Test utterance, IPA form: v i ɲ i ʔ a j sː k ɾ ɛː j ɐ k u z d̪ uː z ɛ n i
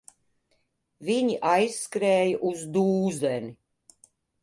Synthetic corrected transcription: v i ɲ i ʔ a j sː k ɾ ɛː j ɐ ʔ u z d̪ uː z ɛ n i